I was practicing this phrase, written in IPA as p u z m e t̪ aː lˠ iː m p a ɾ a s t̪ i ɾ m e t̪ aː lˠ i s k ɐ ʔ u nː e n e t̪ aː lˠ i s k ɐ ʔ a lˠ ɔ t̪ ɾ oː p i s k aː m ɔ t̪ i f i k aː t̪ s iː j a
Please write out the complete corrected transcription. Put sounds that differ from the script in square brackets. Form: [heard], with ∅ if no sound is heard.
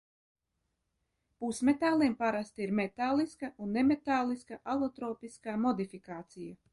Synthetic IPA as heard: p u [s] m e t̪ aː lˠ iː m p a ɾ a s t̪ i ɾ m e t̪ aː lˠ i s k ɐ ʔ u nː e [m] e t̪ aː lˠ i s k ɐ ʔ a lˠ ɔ t̪ ɾ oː p i s k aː m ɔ [d̪] i f i k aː t̪ s [i] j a